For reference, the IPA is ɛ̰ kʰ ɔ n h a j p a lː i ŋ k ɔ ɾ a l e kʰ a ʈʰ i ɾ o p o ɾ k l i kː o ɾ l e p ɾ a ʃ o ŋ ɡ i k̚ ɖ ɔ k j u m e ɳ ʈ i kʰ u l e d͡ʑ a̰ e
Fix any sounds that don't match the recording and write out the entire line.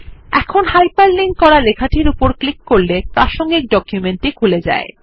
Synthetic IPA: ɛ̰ kʰ o n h a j p a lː i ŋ k ɔ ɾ a l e kʰ a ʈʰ i ɾ u p o ɾ k l i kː o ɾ l e p ɾ a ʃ o ŋ ɡ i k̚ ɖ ɔ k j u m e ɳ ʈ i kʰ u l e d͡ʑ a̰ e